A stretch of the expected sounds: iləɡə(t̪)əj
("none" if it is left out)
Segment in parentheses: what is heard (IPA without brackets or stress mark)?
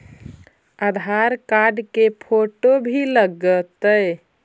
t̪